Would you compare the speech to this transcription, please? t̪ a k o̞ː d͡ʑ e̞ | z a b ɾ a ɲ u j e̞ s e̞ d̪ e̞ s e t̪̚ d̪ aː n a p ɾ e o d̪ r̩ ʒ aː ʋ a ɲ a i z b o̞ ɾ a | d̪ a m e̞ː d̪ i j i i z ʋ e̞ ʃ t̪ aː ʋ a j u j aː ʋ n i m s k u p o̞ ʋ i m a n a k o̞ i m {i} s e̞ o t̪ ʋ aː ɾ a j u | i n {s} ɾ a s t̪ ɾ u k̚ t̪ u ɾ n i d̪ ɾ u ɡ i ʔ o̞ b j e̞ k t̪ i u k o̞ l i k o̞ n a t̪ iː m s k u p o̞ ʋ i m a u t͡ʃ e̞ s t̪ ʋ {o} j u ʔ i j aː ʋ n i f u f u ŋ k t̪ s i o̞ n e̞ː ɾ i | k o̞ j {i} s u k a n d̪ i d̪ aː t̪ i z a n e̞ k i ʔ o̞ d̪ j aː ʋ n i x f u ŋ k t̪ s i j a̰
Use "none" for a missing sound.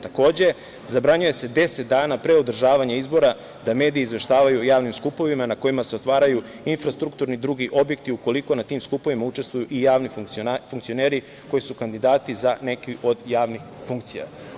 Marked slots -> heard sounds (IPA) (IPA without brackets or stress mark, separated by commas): a, f, u, i